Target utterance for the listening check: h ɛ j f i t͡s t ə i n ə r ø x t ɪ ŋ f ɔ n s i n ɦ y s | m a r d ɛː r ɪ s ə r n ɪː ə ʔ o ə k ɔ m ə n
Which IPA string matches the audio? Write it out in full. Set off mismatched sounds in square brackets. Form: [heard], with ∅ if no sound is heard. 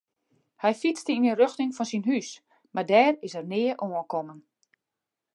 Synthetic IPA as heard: h ɛ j f i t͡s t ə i n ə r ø x t ɪ ŋ f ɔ n s i n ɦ y s | m a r d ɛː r ɪ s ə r n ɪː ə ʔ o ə k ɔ m ə n